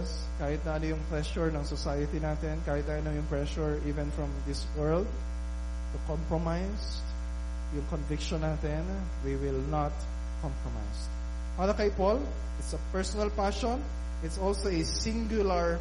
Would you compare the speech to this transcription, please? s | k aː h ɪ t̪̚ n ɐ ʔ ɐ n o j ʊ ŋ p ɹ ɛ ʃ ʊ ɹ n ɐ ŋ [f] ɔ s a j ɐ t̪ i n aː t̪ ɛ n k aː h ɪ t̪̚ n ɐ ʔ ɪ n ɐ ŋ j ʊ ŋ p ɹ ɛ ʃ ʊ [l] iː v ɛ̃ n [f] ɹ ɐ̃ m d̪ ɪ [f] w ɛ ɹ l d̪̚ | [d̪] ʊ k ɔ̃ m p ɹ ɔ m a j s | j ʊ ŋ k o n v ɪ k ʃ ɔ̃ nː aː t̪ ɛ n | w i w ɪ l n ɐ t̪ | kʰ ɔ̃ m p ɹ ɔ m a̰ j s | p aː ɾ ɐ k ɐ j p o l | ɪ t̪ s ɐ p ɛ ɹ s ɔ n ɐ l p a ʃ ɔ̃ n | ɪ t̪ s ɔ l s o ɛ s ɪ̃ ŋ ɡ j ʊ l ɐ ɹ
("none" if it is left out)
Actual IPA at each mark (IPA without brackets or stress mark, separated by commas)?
s, ɹ, f, s, t̪